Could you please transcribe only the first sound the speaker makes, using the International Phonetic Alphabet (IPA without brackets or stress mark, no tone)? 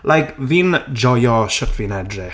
l